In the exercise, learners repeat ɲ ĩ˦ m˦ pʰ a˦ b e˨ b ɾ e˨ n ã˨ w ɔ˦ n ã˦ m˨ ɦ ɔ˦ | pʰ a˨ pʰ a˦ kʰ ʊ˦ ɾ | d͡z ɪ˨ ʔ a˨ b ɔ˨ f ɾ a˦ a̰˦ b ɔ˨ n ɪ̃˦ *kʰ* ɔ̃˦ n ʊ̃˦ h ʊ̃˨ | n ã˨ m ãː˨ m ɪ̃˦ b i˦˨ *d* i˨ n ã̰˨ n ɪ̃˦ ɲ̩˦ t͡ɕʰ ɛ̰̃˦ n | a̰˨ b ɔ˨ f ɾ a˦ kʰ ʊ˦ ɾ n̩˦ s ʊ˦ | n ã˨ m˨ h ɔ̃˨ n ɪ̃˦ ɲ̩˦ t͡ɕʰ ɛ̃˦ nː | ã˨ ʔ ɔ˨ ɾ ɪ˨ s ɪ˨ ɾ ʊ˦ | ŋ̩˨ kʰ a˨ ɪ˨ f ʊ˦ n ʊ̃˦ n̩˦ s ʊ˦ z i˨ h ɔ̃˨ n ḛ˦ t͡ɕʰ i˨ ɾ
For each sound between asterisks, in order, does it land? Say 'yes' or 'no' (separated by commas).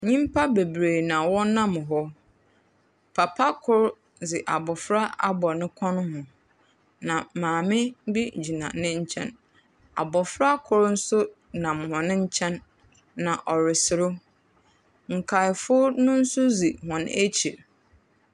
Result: yes, no